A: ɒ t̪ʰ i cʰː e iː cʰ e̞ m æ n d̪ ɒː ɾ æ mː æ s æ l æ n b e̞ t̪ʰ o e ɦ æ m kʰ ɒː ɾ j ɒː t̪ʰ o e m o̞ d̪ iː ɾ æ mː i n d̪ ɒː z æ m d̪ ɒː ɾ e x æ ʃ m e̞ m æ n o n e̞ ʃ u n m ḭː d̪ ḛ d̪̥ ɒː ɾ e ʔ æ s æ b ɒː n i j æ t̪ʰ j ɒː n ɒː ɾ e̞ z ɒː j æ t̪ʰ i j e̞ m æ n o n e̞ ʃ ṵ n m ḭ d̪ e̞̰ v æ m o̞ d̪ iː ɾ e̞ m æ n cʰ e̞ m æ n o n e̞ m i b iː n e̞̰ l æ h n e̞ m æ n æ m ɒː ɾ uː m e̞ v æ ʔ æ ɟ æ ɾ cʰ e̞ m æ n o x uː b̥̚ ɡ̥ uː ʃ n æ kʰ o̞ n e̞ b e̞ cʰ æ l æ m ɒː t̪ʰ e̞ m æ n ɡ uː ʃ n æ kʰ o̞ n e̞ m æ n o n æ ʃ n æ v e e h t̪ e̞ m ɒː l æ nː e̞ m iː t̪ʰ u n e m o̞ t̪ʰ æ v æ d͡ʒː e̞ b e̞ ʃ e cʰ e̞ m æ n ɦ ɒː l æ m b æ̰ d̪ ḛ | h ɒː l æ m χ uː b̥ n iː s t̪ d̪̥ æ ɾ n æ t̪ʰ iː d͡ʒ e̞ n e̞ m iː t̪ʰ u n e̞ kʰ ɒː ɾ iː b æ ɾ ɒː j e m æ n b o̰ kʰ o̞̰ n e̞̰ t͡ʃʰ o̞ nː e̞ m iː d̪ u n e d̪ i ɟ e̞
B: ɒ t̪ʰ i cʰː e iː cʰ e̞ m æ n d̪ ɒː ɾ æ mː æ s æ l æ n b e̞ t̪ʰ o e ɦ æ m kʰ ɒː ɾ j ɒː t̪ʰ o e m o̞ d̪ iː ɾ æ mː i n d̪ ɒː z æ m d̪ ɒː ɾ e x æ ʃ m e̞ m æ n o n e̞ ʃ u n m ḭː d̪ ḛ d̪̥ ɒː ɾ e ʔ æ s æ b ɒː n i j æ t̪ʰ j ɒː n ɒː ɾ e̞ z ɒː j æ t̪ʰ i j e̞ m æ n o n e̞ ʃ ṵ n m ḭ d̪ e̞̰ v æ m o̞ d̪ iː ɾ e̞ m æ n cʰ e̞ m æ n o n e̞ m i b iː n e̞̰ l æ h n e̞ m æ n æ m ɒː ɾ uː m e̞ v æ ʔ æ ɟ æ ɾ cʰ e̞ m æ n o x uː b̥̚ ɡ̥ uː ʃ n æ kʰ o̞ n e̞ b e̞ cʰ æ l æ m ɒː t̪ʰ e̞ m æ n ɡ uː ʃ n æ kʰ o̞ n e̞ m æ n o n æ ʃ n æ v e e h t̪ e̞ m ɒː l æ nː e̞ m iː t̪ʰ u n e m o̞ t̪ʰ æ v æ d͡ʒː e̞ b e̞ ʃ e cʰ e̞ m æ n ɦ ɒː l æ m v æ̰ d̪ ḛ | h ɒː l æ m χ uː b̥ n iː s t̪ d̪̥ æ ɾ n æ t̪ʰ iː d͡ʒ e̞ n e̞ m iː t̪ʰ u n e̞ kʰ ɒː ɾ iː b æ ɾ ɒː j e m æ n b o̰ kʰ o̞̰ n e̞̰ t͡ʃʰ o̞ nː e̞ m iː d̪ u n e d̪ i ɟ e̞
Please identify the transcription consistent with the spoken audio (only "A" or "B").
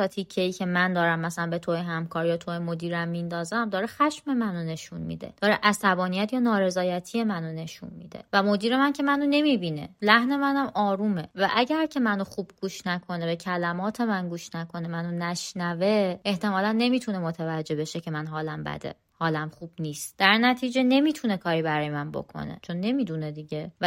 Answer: A